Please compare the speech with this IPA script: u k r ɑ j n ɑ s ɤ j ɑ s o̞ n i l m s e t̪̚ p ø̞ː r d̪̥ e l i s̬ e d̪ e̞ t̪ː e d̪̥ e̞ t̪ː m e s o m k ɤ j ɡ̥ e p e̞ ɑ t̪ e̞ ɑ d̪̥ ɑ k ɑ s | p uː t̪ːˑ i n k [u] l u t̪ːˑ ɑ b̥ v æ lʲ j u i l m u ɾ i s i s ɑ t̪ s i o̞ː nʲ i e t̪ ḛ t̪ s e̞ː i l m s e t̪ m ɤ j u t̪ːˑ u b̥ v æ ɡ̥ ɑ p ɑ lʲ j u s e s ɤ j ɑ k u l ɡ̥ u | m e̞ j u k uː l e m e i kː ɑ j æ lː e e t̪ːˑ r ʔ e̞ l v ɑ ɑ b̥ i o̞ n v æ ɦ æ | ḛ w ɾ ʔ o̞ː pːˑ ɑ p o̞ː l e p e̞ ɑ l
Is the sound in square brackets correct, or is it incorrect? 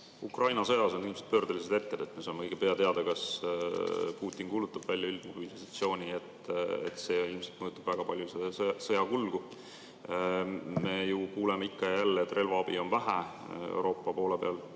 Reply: incorrect